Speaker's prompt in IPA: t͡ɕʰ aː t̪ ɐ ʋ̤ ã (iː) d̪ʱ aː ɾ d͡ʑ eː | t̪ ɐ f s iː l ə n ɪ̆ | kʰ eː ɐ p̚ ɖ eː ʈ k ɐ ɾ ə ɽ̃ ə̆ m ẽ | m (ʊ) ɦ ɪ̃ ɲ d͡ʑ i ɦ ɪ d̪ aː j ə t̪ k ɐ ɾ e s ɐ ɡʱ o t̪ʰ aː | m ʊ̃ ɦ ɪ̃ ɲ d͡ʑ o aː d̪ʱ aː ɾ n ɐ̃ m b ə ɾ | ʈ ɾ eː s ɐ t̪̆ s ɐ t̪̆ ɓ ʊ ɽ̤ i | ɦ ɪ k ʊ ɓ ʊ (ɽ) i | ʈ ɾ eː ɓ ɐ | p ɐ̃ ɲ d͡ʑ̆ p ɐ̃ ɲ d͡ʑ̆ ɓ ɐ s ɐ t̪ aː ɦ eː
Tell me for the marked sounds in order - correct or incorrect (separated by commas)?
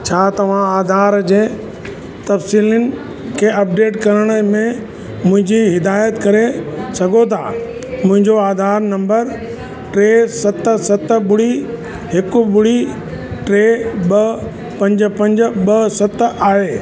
incorrect, incorrect, correct